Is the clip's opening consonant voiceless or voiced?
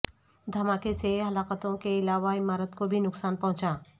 voiced